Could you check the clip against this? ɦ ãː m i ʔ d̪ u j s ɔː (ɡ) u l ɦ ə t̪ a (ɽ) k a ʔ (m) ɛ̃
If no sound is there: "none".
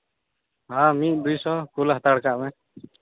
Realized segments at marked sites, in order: k, ɽ, m

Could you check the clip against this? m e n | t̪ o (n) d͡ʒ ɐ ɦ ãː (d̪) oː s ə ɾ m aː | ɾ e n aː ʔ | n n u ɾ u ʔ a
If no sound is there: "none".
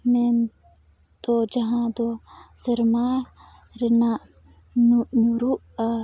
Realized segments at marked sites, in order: none, d̪

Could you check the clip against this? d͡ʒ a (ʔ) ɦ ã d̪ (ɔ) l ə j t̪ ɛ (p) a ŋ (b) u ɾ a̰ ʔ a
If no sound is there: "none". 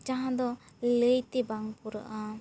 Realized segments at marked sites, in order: none, ɔ, b, p

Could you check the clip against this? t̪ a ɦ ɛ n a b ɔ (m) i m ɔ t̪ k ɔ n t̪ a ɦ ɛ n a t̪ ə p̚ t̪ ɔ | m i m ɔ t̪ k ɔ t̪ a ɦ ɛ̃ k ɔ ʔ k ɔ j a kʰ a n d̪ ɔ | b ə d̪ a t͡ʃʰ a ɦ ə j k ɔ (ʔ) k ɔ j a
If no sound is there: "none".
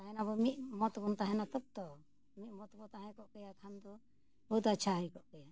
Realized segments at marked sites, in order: m, ʔ

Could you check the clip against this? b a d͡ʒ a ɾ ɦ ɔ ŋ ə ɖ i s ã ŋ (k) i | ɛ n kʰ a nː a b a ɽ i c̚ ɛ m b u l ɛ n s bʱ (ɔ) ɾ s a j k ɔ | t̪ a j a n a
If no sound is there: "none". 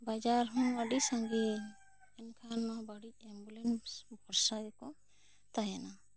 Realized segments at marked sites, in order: ɡ, ɔ

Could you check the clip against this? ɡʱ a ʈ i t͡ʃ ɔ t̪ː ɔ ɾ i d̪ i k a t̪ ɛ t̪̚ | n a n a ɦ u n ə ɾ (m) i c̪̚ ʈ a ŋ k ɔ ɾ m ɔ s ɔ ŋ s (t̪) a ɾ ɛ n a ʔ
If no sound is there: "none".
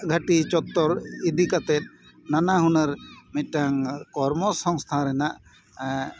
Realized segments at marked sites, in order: m, t̪ʰ

